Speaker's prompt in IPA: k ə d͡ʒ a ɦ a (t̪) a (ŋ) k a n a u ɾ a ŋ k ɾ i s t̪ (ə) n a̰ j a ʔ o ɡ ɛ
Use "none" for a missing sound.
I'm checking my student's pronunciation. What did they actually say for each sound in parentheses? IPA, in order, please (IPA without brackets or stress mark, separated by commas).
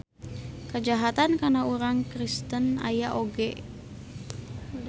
t̪, n, ə